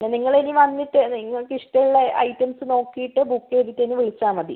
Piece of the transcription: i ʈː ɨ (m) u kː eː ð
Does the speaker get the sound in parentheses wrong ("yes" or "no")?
yes